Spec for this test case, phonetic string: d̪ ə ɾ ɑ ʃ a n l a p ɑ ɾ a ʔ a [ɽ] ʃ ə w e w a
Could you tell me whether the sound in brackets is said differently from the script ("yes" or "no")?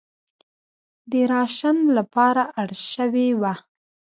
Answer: no